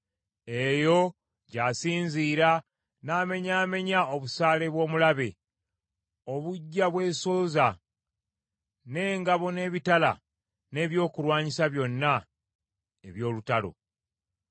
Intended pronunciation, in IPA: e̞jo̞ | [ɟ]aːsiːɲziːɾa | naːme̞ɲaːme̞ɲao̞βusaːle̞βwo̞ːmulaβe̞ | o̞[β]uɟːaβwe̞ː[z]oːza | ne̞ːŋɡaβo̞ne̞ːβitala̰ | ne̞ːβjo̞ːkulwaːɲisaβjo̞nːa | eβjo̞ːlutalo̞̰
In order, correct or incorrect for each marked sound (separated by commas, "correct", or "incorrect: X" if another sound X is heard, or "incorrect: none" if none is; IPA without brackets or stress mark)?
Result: correct, correct, incorrect: s